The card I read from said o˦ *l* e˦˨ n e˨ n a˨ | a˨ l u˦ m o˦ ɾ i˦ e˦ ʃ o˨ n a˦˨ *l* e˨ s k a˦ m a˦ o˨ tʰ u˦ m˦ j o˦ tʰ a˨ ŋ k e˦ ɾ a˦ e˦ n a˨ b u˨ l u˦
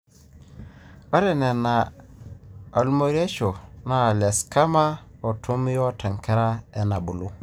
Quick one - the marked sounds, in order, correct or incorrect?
incorrect, correct

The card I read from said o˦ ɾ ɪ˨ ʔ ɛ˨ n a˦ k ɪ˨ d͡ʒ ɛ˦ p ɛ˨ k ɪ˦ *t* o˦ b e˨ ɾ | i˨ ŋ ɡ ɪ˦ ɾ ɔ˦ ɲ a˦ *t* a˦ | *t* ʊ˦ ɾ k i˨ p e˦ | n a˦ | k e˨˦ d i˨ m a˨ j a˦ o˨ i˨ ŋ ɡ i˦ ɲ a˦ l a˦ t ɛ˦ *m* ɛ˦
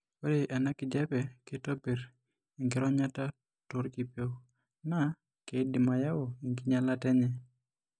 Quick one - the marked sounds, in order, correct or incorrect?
correct, correct, correct, incorrect

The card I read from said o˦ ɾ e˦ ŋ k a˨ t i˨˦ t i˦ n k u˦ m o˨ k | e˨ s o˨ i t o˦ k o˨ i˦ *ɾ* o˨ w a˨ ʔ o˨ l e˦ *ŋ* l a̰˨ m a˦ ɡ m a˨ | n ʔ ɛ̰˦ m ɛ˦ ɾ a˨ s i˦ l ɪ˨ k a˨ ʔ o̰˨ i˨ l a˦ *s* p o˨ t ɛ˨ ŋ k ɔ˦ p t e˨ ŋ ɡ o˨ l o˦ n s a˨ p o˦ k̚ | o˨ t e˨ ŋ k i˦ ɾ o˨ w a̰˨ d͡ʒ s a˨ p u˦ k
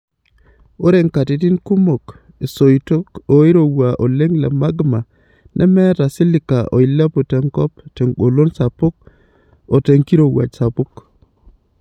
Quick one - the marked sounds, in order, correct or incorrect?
correct, correct, incorrect

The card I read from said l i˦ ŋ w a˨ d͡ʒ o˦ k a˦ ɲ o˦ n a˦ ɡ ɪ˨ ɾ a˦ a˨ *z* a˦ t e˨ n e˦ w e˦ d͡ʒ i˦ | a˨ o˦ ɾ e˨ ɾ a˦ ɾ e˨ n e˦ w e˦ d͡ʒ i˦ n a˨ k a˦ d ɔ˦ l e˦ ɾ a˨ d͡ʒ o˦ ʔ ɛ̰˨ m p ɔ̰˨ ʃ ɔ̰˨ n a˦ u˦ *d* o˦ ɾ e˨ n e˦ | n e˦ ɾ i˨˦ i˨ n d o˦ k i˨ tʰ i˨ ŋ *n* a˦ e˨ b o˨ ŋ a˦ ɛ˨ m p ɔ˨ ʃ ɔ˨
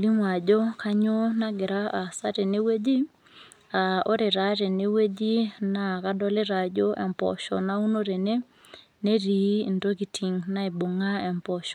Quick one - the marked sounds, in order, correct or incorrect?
incorrect, incorrect, correct

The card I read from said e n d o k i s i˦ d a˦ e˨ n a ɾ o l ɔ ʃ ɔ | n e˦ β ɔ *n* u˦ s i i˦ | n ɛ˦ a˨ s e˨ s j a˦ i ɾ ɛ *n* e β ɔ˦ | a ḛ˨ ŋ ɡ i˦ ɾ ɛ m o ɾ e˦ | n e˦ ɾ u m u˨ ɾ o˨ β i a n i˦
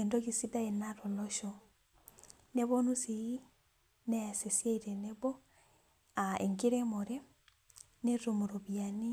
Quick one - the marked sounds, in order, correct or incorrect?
correct, correct

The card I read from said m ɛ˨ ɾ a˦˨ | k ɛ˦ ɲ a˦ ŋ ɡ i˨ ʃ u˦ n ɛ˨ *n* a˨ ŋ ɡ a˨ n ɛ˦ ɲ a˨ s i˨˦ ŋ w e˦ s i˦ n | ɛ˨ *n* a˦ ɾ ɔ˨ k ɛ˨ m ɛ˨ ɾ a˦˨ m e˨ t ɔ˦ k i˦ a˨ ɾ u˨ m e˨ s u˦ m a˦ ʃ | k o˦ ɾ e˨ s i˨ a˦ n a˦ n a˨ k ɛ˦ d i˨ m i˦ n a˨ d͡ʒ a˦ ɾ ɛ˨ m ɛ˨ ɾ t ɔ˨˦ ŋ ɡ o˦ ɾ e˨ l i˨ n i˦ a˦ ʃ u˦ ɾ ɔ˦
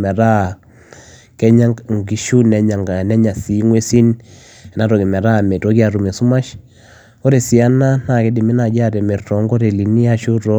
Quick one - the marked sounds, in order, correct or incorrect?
incorrect, correct

